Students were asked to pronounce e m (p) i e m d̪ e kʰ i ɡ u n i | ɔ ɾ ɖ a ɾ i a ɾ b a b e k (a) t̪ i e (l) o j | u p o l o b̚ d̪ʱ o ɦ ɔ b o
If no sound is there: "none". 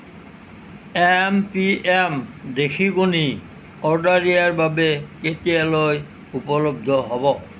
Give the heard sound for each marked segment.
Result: p, e, l

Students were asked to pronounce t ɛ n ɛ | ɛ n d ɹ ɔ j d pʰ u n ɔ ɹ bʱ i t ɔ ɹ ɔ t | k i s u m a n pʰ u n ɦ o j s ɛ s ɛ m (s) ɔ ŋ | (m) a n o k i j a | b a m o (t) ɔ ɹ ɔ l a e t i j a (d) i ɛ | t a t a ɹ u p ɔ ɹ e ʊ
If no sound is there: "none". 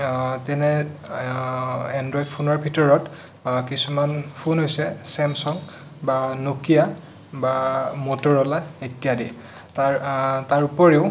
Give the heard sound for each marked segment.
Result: s, b, t, d

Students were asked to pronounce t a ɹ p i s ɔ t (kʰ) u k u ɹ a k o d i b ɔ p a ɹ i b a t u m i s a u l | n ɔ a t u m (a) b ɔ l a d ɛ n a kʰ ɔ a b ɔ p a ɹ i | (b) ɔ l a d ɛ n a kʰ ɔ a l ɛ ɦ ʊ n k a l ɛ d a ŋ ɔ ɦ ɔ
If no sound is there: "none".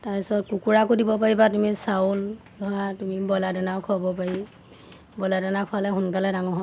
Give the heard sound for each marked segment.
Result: k, i, b

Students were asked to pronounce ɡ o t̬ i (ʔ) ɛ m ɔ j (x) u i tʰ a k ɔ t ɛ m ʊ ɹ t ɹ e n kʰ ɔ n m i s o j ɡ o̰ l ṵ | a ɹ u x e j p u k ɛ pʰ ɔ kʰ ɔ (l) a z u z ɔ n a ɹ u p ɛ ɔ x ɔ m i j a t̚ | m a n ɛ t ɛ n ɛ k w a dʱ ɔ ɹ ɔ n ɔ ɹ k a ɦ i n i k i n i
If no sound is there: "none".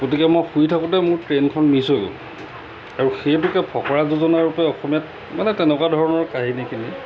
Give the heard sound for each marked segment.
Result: k, x, ɹ

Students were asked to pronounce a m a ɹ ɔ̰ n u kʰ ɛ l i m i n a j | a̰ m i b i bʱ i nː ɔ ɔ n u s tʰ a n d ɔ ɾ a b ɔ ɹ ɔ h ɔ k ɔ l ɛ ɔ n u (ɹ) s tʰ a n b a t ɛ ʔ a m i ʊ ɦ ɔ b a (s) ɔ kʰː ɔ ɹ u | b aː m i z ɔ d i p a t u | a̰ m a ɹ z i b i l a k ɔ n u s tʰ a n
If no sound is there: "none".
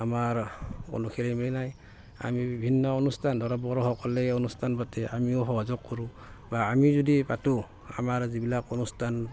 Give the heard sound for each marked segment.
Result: none, z

